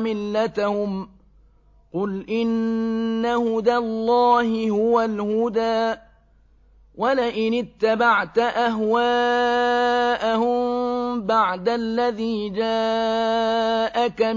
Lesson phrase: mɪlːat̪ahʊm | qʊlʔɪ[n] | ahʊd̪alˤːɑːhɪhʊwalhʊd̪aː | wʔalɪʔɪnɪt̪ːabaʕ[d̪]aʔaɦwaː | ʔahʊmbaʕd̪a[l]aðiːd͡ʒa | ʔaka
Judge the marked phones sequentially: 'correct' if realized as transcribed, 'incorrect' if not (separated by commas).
incorrect, incorrect, incorrect